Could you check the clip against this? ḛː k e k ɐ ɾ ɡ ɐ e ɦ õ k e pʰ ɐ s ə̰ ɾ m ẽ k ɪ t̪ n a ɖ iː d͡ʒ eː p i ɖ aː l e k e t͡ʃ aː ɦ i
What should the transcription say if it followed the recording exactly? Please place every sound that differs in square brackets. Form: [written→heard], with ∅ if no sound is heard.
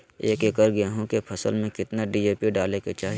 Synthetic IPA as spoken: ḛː k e k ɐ ɾ ɡ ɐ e ɦ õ k e pʰ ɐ s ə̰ [ɾ→l] m ẽ k ɪ t̪ n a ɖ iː d͡ʒ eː p i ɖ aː l e k e t͡ʃ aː ɦ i